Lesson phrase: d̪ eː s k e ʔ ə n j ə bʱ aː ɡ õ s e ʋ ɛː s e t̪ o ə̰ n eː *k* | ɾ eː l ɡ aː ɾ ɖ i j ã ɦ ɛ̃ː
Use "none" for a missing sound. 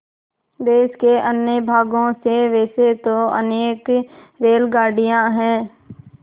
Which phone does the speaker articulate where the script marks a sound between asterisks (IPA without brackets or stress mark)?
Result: k